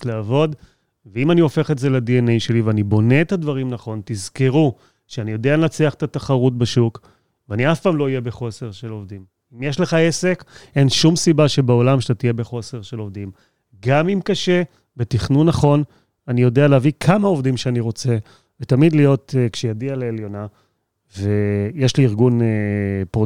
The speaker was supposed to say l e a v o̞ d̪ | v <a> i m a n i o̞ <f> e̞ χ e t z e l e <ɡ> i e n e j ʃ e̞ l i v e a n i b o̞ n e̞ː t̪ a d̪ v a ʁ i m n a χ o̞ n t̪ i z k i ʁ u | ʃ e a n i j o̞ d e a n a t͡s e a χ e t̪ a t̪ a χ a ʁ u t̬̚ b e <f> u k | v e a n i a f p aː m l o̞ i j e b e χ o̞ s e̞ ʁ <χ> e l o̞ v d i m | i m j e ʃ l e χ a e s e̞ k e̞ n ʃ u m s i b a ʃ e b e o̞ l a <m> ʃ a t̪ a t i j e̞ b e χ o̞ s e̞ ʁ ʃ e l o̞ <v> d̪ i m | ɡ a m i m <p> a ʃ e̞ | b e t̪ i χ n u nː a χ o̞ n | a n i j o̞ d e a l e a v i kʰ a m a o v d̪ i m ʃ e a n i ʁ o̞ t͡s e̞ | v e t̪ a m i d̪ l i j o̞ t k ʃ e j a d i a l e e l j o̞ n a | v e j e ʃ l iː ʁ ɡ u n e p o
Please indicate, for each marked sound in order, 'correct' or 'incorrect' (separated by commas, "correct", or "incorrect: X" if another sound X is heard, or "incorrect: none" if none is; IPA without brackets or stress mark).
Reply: incorrect: e, correct, incorrect: d, incorrect: ʃ, incorrect: ʃ, correct, correct, incorrect: k